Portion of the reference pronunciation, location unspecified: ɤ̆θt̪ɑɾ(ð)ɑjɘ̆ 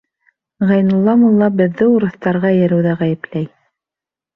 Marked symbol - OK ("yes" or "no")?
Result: no